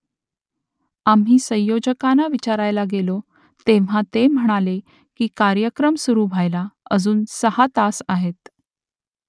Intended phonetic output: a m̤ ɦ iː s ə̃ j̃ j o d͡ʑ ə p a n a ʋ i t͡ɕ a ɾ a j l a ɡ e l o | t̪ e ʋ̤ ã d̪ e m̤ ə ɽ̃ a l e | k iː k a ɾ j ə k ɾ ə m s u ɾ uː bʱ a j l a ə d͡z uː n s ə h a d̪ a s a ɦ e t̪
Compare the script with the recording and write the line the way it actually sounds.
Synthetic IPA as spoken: a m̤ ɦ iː s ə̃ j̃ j o d͡ʑ ə k a n a ʋ i t͡ɕ a ɾ a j l a ɡ e l o | t̪ e ʋ̤ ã t̪ e m̤ ə ɽ̃ a l e | k iː k a ɾ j ə k ɾ ə m s u ɾ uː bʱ a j l a ə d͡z uː n s ə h a t̪ a s a ɦ e t̪